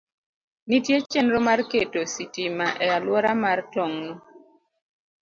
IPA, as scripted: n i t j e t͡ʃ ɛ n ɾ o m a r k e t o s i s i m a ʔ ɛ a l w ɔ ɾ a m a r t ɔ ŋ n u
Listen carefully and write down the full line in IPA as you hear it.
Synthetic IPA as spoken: n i t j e t͡ʃ ɛ n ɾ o m a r k e t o s i t i m a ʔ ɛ a l w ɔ ɾ a m a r t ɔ ŋ n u

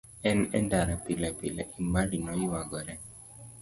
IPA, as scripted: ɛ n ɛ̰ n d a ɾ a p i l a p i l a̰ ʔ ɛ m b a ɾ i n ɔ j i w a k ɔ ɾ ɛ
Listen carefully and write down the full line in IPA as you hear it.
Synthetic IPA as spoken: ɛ n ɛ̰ n d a ɾ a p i l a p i l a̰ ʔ i m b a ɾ i n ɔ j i w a ɡ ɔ ɾ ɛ

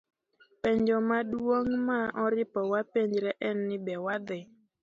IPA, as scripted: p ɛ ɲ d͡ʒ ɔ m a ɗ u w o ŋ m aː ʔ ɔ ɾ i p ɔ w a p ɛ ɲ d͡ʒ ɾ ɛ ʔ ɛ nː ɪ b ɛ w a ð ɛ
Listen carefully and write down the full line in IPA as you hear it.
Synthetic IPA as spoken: p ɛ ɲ d͡ʒ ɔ m a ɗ u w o ŋ m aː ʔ ɔ ɾ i p ɔ w a p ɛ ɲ d͡ʒ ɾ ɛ ʔ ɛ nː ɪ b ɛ w a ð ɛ

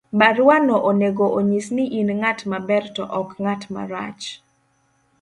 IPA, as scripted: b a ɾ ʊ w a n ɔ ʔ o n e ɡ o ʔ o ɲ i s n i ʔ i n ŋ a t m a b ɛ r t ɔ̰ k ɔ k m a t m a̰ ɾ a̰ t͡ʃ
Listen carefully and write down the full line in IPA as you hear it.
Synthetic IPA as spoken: b a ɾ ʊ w a n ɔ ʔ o n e ɡ o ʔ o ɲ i s n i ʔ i n ŋ a t m a b ɛ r t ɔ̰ ʔ ɔ k ŋ a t m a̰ ɾ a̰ t͡ʃ

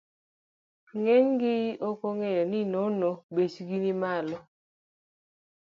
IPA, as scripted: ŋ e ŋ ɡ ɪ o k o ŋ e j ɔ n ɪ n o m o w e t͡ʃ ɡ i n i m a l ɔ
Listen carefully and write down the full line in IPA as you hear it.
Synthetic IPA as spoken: ŋ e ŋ ɡ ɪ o k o ŋ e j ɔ n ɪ n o n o b e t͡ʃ ɡ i n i m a l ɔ

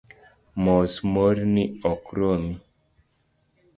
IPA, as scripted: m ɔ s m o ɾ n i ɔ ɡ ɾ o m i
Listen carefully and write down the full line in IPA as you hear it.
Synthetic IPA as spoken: m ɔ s m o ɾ n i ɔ k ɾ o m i

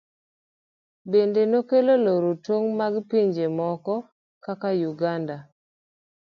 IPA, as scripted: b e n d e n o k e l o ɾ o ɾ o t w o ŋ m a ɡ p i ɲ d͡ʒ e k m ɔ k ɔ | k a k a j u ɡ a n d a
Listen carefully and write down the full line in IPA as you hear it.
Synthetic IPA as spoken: b e n d e n o k e l o l o ɾ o t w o ŋ m a ɡ p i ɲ d͡ʒ e m ɔ k ɔ | k a k a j u ɡ a n d a

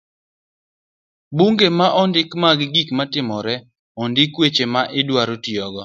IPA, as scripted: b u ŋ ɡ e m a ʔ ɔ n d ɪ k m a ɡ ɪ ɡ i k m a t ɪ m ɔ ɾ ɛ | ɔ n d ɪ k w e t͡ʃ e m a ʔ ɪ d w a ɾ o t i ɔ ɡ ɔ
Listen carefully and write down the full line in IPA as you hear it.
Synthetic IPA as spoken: b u ŋ ɡ e m a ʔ ɔ n d ɪ k m a ɡ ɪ ɡ i k m a t ɪ m ɔ ɾ ɛ | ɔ n d ɪ k w e t͡ʃ e m a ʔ ɪ d w a ɾ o t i ɔ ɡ ɔ

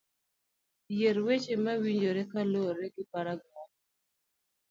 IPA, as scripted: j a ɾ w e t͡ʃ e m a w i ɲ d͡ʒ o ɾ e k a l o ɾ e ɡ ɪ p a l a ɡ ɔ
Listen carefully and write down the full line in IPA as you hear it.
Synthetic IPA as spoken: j e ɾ w e t͡ʃ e m a w i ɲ d͡ʒ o ɾ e k a l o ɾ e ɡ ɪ p a ɾ a ɡ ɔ

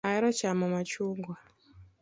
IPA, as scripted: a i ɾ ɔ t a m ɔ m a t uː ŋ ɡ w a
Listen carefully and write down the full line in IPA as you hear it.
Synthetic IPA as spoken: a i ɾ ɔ t͡ʃ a m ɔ m a t͡ʃ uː ŋ ɡ w a

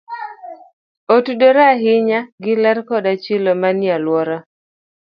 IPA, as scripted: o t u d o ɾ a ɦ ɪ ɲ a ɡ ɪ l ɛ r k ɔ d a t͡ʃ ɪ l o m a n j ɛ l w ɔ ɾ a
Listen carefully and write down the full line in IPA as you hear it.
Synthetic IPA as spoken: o t u d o ɾ a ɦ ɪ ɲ a ɡ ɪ l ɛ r k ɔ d a t͡ʃ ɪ l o m a n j a l w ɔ ɾ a

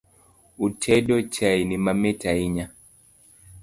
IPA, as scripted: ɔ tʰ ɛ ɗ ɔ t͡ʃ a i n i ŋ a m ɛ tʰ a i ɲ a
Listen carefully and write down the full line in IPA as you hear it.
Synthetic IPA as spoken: u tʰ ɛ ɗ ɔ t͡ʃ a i n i m a m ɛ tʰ a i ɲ a

